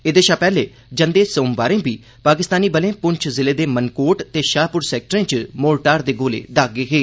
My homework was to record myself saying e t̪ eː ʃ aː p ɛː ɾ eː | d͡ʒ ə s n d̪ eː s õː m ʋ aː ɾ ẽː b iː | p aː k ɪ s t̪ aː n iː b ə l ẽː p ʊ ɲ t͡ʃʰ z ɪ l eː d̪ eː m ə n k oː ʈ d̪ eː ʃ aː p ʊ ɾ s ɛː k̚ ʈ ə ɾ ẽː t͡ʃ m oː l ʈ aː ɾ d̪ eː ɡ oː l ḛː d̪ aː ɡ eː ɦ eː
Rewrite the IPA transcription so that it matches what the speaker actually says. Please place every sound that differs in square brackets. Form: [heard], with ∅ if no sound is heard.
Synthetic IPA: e [d̪] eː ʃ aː p ɛː [l] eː | d͡ʒ ə [∅] n d̪ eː s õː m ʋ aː ɾ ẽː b iː | p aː k ɪ s t̪ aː n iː b ə l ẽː p ʊ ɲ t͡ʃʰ z ɪ l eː d̪ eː m ə n k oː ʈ [t̪] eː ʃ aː p ʊ ɾ s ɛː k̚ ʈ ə ɾ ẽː t͡ʃ m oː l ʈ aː ɾ d̪ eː ɡ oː l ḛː d̪ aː ɡ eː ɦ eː